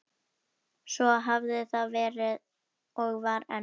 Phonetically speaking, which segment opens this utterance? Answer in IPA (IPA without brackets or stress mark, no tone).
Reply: s